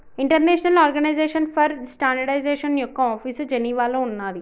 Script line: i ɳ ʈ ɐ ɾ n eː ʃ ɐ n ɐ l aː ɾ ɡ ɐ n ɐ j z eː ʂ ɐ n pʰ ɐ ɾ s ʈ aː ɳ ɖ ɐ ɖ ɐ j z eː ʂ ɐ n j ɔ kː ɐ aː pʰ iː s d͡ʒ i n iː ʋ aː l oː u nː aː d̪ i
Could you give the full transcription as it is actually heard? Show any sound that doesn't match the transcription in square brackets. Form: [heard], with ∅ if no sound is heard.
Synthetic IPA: i ɳ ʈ ɐ ɾ n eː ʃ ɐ n ɐ l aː ɾ ɡ ɐ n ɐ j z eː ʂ ɐ n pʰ ɐ ɾ s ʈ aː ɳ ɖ ɐ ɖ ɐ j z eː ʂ ɐ n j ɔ kː ɐ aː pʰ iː s d͡ʒ [e] n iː ʋ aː l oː u nː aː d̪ i

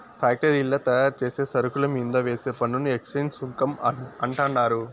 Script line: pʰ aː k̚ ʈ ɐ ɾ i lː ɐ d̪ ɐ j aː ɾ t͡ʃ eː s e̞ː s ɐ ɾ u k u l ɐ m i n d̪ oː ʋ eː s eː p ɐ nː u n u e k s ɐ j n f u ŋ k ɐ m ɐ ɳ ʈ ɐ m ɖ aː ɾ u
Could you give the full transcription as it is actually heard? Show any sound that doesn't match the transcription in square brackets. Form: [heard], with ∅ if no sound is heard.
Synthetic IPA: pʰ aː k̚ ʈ ɐ ɾ i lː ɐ [t̪] ɐ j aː ɾ t͡ʃ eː s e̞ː s ɐ ɾ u k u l ɐ m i n d̪ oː ʋ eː s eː p ɐ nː u n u e k s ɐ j n [s] u ŋ k ɐ m ɐ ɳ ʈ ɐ [ɳ] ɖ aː ɾ u

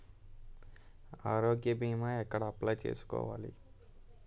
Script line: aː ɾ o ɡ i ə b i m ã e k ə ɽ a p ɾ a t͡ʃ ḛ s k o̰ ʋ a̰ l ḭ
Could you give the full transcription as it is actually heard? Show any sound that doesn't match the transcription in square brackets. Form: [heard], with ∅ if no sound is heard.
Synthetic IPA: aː ɾ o ɡ [j] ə b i m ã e k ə ɽ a p [l] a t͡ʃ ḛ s k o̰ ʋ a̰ l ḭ

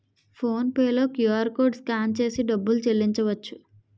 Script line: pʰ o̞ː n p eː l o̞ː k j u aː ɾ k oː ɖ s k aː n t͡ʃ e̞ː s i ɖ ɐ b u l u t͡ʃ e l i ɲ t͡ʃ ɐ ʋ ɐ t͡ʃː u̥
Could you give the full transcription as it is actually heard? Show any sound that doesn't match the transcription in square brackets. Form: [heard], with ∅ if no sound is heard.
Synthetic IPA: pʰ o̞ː n p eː l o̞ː k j u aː ɾ k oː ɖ s k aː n t͡ʃ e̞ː s i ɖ ɐ [bː] u l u t͡ʃ e [lː] i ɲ t͡ʃ ɐ ʋ ɐ t͡ʃː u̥

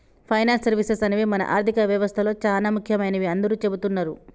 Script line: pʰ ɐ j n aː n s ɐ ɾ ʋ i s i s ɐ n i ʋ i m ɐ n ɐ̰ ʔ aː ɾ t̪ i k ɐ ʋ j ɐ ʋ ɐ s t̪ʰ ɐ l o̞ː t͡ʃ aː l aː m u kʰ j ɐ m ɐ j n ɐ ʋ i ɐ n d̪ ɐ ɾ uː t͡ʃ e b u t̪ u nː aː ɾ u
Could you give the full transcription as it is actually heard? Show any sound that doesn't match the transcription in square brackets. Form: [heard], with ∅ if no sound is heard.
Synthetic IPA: pʰ ɐ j n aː n s ɐ ɾ ʋ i s [e] s ɐ n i ʋ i m ɐ n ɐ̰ ʔ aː ɾ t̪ i k ɐ ʋ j ɐ ʋ ɐ s t̪ʰ ɐ l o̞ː t͡ʃ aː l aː m u kʰ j ɐ m ɐ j n ɐ ʋ i ɐ n d̪ ɐ ɾ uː t͡ʃ e b u t̪ u nː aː ɾ u

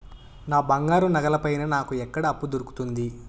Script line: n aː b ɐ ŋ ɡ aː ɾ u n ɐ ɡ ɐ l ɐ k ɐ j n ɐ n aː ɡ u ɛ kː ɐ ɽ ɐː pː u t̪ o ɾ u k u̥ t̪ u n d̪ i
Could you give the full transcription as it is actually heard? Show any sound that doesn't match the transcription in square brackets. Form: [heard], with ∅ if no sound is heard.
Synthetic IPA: n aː b ɐ ŋ ɡ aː ɾ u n ɐ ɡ ɐ l ɐ [p] ɐ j n ɐ n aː [k] u ɛ kː ɐ ɽ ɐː pː u [d̪] o ɾ u k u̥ t̪ u n d̪ i

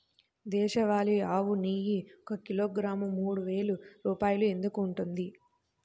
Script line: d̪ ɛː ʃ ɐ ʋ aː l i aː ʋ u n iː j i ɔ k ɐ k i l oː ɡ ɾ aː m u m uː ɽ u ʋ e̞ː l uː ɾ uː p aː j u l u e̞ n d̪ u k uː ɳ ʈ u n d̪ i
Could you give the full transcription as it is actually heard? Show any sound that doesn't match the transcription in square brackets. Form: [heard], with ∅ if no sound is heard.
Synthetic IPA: d̪ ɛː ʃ ɐ ʋ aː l i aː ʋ u n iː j i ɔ k ɐ k i l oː ɡ ɾ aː m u m uː ɽ u ʋ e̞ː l [u] ɾ uː p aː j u l u e̞ n d̪ u k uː ɳ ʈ u n d̪ i

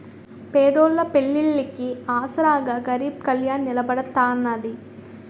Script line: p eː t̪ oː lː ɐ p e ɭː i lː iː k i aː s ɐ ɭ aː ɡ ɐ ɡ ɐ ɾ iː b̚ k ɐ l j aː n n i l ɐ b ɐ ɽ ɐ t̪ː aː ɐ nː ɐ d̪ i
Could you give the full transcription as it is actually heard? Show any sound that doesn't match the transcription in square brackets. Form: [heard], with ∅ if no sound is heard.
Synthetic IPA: p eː [d̪] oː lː ɐ p e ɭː i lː [i] k i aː s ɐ [ɾ] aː ɡ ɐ ɡ ɐ ɾ iː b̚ k ɐ l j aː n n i l ɐ b ɐ ɽ ɐ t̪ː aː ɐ nː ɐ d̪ i

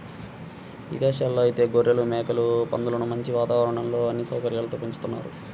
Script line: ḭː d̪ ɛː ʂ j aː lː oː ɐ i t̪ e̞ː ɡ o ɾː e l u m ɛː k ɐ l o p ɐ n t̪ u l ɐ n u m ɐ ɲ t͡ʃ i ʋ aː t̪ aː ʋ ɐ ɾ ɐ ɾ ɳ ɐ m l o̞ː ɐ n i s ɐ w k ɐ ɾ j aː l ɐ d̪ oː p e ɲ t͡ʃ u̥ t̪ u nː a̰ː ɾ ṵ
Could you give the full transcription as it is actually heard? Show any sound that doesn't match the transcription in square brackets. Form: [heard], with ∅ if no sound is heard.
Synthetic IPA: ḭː d̪ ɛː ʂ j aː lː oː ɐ i t̪ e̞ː ɡ o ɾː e l u m ɛː k ɐ l [u] p ɐ n [d̪] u l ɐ n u m ɐ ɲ t͡ʃ i ʋ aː t̪ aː ʋ ɐ ɾ ɐ [∅] ɳ ɐ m l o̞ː ɐ [nː] i s ɐ w k ɐ ɾ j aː l ɐ [t̪] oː p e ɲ t͡ʃ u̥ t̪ u nː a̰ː ɾ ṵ

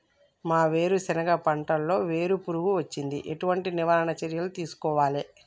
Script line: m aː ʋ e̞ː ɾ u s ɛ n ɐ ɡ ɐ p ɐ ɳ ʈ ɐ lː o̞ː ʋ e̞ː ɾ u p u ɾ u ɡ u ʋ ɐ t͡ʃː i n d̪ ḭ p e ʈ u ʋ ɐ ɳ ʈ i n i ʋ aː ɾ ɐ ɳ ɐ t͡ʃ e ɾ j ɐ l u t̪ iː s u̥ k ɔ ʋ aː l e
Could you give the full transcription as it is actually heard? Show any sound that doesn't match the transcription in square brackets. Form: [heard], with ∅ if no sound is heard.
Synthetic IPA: m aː ʋ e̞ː ɾ u s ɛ n ɐ ɡ ɐ p ɐ ɳ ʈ ɐ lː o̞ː ʋ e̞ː ɾ u p u ɾ u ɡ u ʋ ɐ t͡ʃː i n d̪ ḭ [ʔ] e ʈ u ʋ ɐ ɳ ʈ i n i ʋ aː ɾ ɐ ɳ ɐ t͡ʃ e ɾ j ɐ l u t̪ iː s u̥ k [ɔː] ʋ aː l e

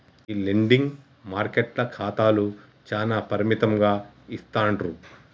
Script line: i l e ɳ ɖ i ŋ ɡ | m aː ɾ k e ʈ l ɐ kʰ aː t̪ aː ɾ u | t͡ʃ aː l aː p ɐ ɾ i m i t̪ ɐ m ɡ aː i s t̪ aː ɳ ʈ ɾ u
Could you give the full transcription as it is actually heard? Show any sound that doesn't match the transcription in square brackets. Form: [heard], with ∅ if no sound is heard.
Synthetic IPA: i l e ɳ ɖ i ŋ ɡ | m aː ɾ k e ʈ l ɐ kʰ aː t̪ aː [l] u | t͡ʃ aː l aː p ɐ ɾ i m i t̪ ɐ m ɡ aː i s t̪ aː ɳ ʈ ɾ u

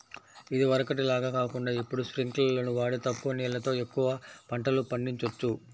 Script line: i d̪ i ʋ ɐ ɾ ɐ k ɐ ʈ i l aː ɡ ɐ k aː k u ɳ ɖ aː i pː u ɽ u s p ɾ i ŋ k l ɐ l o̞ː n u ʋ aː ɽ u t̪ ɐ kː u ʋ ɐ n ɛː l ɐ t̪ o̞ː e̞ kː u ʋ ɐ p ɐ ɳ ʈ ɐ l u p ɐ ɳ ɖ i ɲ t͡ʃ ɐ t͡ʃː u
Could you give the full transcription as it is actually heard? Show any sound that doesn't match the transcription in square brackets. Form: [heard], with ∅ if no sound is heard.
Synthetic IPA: i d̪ i ʋ ɐ ɾ ɐ k ɐ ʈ i l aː ɡ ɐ k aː k u ɳ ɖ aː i pː u ɽ u s p ɾ i ŋ k l ɐ l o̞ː n u ʋ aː ɽ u t̪ ɐ kː u ʋ ɐ n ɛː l ɐ t̪ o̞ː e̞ kː u ʋ ɐ p ɐ ɳ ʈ ɐ l u p ɐ ɳ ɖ i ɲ t͡ʃ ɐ t͡ʃː u

